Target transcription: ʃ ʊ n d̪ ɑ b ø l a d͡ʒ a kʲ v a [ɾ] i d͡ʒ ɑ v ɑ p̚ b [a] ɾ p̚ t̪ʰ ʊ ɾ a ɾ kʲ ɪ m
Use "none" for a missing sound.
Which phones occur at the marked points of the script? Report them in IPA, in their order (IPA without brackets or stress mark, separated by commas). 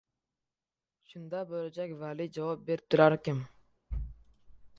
l, e